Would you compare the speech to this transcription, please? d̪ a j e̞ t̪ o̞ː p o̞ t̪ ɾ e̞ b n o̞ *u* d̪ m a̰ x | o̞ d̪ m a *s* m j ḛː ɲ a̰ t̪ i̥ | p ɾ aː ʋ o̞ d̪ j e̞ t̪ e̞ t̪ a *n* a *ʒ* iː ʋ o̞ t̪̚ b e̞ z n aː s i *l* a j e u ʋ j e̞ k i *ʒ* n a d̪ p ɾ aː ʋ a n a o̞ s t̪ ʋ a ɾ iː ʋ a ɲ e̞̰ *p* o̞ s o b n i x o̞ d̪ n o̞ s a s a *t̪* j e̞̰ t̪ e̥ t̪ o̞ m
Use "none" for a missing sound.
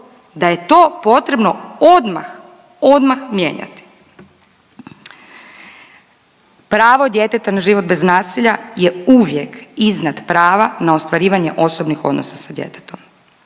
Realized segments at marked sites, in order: o, x, n, ʒ, ʎ, z, ʔ, d̪

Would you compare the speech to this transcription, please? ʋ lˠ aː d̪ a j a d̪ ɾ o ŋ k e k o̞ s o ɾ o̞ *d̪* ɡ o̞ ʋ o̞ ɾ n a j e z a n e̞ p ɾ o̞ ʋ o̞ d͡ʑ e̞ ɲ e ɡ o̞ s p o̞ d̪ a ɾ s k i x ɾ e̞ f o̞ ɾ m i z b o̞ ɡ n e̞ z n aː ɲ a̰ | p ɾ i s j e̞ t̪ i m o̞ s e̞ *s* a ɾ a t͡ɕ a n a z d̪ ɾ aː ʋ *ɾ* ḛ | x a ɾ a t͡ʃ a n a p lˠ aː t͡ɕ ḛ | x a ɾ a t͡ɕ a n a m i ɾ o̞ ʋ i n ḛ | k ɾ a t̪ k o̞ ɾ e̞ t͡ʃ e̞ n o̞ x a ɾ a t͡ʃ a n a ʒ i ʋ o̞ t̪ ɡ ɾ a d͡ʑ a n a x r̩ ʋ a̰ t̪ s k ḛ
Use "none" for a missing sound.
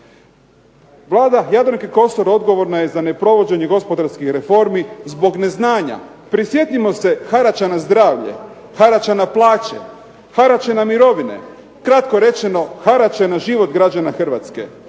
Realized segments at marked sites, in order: d̪, x, ʎ

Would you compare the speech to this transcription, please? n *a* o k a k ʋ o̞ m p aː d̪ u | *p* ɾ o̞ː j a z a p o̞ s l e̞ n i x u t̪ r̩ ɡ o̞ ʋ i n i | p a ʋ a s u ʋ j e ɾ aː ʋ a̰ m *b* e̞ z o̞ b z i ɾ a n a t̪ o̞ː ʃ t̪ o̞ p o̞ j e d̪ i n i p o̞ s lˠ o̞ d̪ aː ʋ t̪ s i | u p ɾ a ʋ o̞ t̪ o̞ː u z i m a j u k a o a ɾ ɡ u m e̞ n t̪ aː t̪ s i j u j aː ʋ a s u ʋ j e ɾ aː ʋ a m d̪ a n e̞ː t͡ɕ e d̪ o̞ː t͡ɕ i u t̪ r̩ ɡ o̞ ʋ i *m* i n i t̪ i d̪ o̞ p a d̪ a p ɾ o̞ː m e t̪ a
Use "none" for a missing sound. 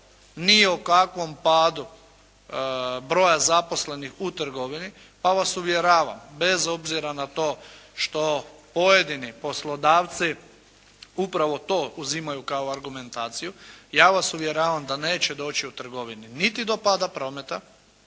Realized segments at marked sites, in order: i, b, b, n

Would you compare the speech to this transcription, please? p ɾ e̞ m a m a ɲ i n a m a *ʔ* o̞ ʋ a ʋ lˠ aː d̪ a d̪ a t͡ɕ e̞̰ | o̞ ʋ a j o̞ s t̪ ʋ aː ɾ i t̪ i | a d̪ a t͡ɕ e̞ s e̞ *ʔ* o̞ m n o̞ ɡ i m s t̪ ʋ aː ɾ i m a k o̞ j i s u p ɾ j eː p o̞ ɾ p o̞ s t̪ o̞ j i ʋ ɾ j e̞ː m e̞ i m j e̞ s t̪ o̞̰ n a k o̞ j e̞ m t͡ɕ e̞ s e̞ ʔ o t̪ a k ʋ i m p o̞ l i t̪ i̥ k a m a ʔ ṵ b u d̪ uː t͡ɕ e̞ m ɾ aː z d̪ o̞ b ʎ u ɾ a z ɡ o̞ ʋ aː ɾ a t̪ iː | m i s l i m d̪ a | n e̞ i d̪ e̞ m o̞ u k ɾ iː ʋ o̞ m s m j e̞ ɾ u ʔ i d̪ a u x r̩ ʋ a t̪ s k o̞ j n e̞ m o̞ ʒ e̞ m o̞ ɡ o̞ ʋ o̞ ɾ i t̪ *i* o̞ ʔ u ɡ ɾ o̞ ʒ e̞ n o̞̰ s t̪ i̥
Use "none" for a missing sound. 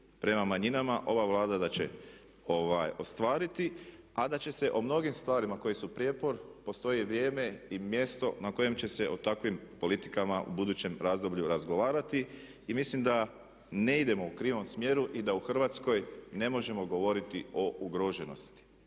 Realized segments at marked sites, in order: ʔ, ʔ, i

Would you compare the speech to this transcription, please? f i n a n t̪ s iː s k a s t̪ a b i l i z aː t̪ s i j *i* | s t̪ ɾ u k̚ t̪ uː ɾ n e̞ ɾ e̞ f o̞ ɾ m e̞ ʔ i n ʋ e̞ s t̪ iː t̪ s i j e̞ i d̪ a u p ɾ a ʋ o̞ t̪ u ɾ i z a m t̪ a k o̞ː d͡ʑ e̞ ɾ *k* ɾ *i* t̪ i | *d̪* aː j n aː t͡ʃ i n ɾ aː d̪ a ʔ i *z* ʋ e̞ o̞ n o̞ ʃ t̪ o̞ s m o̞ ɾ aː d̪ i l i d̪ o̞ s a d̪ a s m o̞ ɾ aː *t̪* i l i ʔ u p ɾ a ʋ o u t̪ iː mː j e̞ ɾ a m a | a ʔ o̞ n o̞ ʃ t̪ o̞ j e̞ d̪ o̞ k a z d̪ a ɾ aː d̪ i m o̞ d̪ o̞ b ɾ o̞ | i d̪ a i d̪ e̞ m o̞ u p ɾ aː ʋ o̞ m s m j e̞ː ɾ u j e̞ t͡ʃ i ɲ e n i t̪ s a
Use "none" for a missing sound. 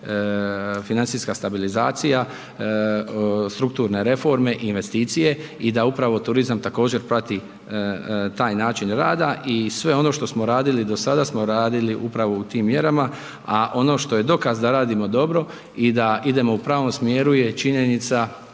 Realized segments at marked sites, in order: a, p, a, t̪, s, d̪

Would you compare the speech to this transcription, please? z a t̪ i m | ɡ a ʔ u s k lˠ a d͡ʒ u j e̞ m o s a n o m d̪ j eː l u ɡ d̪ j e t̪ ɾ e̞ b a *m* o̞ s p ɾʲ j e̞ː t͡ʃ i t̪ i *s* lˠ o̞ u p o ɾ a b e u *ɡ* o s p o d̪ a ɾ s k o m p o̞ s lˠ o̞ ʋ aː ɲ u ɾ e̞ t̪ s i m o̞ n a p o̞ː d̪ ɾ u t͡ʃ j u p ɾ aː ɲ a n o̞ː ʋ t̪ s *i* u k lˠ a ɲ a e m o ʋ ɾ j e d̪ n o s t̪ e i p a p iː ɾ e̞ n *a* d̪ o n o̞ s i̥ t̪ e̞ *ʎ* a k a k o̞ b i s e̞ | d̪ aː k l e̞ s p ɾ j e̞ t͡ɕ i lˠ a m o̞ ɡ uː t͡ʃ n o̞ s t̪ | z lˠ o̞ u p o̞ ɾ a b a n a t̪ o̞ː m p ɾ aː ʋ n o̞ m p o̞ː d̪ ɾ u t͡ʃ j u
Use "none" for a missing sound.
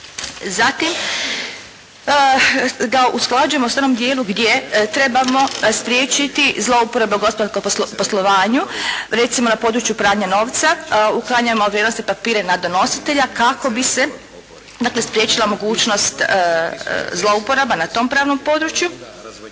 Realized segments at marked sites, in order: m, z, ɡ, a, a, ʎ

